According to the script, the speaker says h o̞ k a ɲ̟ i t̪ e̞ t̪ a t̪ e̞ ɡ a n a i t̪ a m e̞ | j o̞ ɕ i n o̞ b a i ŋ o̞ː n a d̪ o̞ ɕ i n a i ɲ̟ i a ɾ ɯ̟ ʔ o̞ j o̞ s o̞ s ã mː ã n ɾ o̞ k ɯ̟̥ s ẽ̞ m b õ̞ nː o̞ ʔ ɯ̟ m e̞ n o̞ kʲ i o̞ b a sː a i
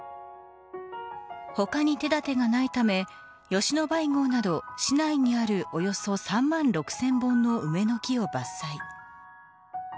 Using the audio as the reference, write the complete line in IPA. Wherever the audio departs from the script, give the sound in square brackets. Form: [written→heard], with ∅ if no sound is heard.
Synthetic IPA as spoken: h o̞ k a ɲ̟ i t̪ e̞ [t̪→d̪] a t̪ e̞ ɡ a n a i t̪ a m e̞ | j o̞ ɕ i n o̞ b a i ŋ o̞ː n a d̪ o̞ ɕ i n a i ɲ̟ i a ɾ ɯ̟ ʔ o̞ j o̞ s o̞ s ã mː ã n ɾ o̞ k ɯ̟̥ s ẽ̞ m b õ̞ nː o̞ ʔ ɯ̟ m e̞ n o̞ kʲ i o̞ b a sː a i